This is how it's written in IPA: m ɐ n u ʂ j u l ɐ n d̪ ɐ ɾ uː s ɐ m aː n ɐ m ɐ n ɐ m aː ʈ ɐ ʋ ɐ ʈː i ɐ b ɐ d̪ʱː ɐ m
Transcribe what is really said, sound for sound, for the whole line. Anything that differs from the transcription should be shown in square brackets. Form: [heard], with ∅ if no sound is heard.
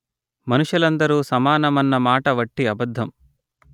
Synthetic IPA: m ɐ n u ʂ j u l ɐ n d̪ ɐ ɾ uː s ɐ m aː n ɐ m ɐ [nː] ɐ m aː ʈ ɐ ʋ ɐ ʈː i ɐ b ɐ d̪ʱː ɐ m